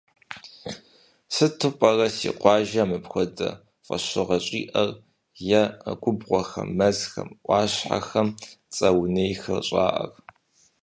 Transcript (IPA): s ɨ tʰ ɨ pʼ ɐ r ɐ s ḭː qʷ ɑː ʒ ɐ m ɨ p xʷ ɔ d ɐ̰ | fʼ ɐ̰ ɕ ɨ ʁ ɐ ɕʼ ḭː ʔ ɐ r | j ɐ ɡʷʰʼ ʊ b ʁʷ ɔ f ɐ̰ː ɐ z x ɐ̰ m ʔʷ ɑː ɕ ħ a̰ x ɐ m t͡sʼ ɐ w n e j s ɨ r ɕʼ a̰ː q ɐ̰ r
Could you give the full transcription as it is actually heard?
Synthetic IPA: s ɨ tʰ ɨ pʼ ɐ r ɐ s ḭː qʷ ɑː ʒ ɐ m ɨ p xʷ ɔ d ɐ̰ | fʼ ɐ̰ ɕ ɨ ʁ ɐ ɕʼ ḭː ʔ ɐ r | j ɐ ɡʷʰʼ ʊ b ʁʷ ɔ x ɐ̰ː ɐ z x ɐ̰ m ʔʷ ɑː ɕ ħ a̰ x ɐ m t͡sʼ ɐ w n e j x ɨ r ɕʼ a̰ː ʔ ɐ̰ r